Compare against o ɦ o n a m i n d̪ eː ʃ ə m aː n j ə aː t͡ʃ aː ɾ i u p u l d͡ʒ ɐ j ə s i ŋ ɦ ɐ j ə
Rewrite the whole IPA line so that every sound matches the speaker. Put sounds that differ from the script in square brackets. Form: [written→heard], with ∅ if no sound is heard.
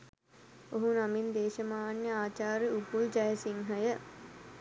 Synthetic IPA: o ɦ [o→u] n a m i n d̪ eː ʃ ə m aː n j ə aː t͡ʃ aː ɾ i u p u l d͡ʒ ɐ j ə s i ŋ ɦ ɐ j ə